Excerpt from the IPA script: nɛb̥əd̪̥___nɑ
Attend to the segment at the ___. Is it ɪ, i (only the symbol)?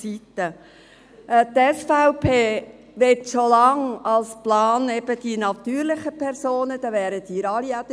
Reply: i